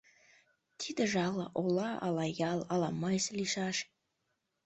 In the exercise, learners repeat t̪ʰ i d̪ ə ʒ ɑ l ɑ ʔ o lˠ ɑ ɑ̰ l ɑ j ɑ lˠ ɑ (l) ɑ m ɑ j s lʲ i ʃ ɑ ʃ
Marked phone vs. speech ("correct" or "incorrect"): correct